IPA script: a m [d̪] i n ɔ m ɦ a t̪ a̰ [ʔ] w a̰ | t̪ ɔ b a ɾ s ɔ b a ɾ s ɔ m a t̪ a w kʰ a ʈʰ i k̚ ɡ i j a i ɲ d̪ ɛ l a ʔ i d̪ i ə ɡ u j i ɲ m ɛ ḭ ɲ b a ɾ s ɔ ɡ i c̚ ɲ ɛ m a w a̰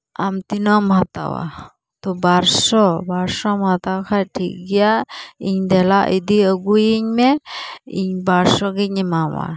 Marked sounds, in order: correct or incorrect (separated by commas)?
incorrect, incorrect